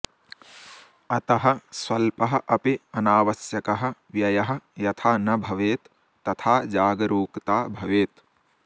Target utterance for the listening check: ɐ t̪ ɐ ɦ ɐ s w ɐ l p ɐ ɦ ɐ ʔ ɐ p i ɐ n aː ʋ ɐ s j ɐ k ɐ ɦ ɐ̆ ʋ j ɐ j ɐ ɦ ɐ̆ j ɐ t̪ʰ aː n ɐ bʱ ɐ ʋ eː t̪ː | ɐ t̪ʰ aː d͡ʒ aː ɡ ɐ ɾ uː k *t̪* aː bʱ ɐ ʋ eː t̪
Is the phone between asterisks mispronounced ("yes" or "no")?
no